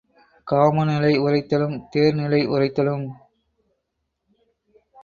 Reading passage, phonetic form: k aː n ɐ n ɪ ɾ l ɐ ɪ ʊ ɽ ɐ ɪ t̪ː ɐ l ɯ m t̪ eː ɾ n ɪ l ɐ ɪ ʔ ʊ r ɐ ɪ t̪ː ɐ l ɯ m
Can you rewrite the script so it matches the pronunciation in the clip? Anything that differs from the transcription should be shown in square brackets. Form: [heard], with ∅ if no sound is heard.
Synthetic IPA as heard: k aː [m] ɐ n ɪ [∅] l ɐ ɪ ʊ [r] ɐ ɪ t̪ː ɐ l ɯ m t̪ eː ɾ n ɪ l ɐ ɪ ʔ ʊ r ɐ ɪ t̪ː ɐ l ɯ m